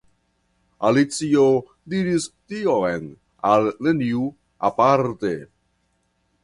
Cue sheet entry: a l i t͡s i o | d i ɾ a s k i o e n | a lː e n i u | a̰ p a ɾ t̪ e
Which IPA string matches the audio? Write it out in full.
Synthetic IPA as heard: a l i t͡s i o | d i ɾ i s t i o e n | a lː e n i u | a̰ p a ɾ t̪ e